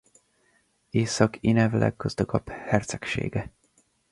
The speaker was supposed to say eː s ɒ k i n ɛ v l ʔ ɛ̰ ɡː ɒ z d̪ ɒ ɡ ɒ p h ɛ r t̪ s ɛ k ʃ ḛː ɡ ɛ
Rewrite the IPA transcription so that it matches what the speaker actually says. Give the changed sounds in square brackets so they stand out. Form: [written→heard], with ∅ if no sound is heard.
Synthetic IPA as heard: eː s ɒ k i n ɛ v l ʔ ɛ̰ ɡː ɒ z d̪ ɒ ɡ ɒ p h ɛ r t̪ s ɛ k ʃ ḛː ɡ ɛ

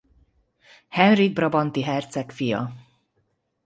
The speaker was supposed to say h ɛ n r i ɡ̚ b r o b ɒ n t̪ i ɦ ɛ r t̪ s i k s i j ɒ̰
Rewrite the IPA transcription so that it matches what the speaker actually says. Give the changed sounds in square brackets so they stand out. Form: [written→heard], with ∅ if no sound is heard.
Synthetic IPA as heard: h ɛ n r i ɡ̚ b r [o→ɒ] b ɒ n t̪ i ɦ ɛ r t̪ s [i→ɛ] k [s→f] i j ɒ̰

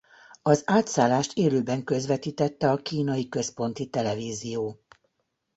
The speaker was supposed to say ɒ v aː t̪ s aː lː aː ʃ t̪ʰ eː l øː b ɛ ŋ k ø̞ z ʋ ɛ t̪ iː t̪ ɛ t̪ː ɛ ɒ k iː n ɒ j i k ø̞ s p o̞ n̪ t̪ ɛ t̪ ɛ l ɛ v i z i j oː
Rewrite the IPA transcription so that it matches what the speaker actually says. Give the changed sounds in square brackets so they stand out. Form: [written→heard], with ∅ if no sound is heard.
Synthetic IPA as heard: ɒ [v→z] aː t̪ s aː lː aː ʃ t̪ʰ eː l øː b ɛ ŋ k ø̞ z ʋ ɛ t̪ iː t̪ ɛ t̪ː ɛ ɒ k iː n ɒ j i k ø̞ s p o̞ n̪ t̪ [ɛ→i] t̪ ɛ l ɛ v [i→iː] z i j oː

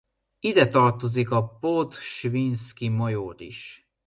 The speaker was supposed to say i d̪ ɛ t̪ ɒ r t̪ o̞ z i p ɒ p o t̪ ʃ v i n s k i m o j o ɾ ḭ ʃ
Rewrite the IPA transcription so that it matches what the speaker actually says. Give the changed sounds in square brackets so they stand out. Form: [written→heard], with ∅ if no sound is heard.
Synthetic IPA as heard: i d̪ ɛ t̪ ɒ r t̪ o̞ z i [p→k] ɒ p o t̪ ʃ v i n s k i m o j o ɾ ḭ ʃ

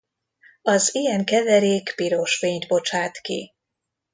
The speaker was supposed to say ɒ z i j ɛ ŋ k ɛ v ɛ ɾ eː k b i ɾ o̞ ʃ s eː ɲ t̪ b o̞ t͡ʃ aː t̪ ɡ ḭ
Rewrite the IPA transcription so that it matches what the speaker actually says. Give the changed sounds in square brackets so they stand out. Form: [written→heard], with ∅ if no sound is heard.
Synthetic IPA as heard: ɒ z i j ɛ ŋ k ɛ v ɛ ɾ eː k [b→p] i ɾ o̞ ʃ [s→f] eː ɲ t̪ b o̞ t͡ʃ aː t̪ [ɡ→k] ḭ

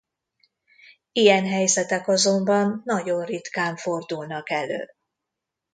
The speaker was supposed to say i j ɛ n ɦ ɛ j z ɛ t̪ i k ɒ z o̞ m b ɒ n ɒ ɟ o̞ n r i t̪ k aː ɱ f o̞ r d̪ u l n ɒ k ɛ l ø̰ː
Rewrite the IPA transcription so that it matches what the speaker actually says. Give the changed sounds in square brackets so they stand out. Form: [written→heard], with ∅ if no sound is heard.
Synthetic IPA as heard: i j ɛ n ɦ ɛ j z ɛ t̪ [i→ɛ] k ɒ z o̞ m b ɒ [n→nː] ɒ ɟ o̞ n r i t̪ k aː ɱ f o̞ r d̪ u l n ɒ k ɛ l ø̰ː

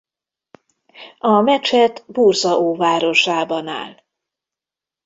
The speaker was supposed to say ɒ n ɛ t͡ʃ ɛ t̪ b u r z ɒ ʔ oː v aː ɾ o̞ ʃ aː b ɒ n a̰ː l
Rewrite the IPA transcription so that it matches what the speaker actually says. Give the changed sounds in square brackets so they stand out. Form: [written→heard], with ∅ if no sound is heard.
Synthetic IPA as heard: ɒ [n→m] ɛ t͡ʃ ɛ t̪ b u r z ɒ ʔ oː v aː ɾ o̞ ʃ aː b ɒ n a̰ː l

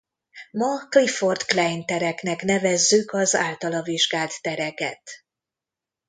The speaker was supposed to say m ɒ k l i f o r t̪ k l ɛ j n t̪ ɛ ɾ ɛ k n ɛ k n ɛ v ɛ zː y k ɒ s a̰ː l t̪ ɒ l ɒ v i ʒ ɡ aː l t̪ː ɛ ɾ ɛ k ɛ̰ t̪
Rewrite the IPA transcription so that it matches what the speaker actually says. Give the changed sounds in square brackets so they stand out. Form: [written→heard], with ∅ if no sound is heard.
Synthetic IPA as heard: m ɒ k l i f o r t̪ k l ɛ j n t̪ ɛ ɾ ɛ k n ɛ k n ɛ v ɛ zː y k ɒ [s→z] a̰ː l t̪ ɒ l ɒ v i ʒ ɡ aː l t̪ː ɛ ɾ ɛ k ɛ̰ t̪

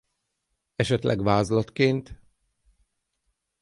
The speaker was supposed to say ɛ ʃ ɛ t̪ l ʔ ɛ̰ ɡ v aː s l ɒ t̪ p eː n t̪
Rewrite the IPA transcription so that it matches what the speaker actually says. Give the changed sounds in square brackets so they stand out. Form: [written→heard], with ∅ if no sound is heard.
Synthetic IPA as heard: ɛ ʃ ɛ t̪ l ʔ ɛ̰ ɡ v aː [s→z] l ɒ t̪ [p→k] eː n t̪

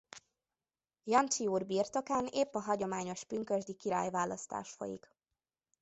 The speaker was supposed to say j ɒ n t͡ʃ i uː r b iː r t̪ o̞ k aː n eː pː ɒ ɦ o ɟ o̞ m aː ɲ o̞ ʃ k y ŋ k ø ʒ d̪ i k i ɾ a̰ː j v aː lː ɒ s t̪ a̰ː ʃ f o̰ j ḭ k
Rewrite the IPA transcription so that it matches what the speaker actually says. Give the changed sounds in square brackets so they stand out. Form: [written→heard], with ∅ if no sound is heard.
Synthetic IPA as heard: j ɒ n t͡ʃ i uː r b iː r t̪ o̞ k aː n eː pː ɒ ɦ [o→ɒ] ɟ o̞ m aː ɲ o̞ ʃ [k→p] y ŋ k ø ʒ d̪ i k i ɾ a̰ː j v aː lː ɒ s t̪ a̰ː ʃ f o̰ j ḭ k

